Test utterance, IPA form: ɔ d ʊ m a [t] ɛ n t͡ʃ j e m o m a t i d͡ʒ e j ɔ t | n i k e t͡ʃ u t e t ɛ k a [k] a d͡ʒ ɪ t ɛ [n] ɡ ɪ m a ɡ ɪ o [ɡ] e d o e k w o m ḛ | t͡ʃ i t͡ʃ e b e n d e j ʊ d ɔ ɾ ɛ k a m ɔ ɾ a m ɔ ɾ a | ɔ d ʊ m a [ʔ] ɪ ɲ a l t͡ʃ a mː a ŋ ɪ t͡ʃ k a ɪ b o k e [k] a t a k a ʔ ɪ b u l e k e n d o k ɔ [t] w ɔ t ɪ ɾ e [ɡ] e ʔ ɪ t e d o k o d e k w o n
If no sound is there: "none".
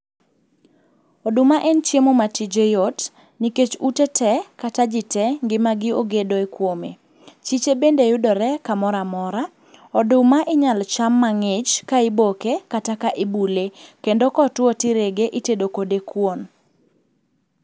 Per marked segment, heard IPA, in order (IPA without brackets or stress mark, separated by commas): ʔ, t, ŋ, ɡ, ʔ, k, t, ɡ